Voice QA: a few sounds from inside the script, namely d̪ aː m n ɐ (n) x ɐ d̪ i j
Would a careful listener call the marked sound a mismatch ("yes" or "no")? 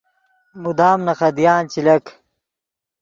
yes